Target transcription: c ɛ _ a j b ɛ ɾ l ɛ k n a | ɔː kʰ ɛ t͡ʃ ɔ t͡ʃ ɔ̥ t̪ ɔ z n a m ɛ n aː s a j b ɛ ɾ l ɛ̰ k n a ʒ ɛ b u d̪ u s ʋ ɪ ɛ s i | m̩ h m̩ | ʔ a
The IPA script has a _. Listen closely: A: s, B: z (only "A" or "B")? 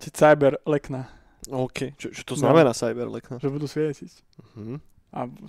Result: A